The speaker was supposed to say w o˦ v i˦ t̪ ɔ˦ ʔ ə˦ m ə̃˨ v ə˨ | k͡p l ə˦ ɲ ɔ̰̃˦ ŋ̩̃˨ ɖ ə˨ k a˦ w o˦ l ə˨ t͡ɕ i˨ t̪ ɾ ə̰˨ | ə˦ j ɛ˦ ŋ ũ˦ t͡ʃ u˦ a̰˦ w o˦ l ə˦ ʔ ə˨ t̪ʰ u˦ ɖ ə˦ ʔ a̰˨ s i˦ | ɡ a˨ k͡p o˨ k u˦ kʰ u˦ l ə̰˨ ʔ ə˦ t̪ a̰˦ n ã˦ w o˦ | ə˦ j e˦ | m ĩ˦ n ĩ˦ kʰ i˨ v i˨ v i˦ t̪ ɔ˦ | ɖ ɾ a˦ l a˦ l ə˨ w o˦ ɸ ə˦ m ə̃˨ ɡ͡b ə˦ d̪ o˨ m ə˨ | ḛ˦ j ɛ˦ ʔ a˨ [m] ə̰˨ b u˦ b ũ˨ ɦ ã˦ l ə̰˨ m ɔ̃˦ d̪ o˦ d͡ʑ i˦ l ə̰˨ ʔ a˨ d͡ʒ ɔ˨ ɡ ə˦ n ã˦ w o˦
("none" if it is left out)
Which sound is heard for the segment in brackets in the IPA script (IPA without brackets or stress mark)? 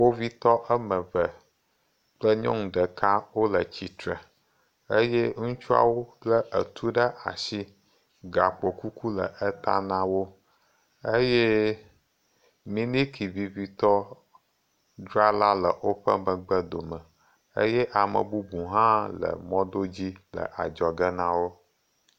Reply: m